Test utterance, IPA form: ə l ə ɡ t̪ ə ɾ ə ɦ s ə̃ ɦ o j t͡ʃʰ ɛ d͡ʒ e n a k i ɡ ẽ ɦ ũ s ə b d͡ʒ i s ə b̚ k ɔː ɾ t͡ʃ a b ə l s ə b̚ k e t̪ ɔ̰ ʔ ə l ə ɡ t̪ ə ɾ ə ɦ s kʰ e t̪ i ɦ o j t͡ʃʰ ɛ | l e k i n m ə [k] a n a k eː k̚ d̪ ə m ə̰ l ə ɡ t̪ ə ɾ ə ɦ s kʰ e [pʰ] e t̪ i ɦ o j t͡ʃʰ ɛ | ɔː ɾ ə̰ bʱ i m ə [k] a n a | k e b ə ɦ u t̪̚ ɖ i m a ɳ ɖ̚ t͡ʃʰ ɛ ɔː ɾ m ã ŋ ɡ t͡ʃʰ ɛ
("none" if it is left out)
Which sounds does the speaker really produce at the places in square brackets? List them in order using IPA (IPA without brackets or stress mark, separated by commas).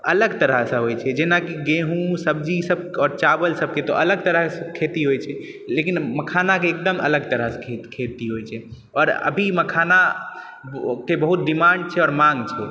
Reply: kʰ, kʰ, kʰ